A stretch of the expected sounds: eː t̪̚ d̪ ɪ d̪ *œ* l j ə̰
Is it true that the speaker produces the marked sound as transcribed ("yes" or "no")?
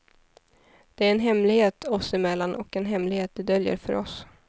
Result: yes